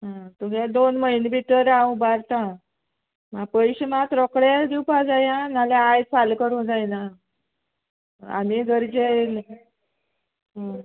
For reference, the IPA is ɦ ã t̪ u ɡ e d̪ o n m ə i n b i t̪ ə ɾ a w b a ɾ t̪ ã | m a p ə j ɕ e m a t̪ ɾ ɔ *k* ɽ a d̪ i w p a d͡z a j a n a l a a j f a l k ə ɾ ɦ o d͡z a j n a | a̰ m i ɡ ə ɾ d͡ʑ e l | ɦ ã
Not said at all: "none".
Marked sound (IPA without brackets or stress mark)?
k